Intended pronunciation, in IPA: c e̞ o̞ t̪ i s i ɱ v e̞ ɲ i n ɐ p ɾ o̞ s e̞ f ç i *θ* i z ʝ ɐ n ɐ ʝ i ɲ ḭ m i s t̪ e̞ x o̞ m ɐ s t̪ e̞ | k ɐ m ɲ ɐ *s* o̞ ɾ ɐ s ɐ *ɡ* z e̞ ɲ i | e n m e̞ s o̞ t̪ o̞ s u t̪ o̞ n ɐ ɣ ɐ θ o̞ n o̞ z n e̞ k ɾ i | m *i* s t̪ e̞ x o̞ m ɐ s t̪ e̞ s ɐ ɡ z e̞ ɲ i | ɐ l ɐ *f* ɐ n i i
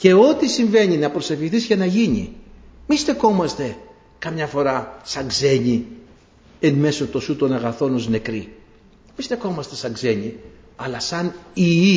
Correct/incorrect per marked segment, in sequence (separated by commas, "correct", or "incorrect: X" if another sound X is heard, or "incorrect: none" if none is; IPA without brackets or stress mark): correct, incorrect: f, correct, correct, incorrect: s